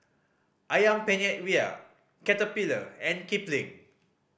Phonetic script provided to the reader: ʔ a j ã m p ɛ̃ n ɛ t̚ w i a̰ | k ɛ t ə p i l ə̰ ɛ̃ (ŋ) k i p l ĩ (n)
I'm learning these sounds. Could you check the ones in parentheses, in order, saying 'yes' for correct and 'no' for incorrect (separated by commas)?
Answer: no, no